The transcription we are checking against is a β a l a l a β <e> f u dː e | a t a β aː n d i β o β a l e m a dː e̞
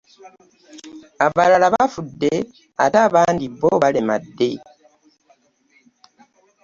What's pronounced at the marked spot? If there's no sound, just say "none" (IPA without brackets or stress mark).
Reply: a